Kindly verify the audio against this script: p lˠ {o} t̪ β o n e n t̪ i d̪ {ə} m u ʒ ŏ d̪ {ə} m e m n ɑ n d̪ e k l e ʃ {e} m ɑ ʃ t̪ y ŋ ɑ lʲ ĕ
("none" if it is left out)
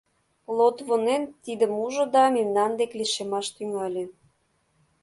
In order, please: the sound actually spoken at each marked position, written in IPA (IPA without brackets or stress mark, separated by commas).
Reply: o, ə, ɑ, e